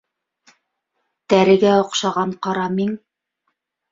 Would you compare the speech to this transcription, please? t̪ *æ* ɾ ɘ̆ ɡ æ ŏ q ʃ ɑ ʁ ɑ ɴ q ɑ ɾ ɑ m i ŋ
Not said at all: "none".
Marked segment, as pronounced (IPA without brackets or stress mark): æ